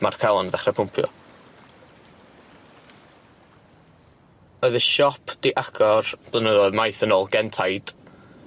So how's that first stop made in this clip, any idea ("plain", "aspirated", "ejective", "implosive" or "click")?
aspirated